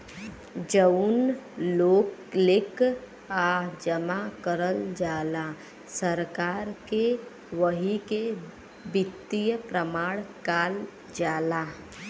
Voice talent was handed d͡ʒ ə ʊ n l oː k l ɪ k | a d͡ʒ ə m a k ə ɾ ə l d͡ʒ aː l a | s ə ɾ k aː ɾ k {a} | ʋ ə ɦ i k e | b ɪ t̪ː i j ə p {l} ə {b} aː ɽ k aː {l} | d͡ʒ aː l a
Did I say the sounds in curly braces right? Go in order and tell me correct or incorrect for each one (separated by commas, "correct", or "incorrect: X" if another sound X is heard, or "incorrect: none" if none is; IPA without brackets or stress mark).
incorrect: e, incorrect: ɾ, incorrect: m, correct